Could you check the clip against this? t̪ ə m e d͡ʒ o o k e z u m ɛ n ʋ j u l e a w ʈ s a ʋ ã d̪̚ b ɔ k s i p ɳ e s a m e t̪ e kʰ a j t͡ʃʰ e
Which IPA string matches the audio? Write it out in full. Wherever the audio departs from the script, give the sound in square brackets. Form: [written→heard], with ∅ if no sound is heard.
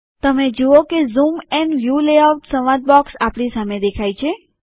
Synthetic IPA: t̪ ə m e d͡ʒ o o k e z u m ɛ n ʋ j u l e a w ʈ s [a→ə] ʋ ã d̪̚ b ɔ k s [i→a] p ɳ [e→i] s a m e [t̪→d̪] e kʰ a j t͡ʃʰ e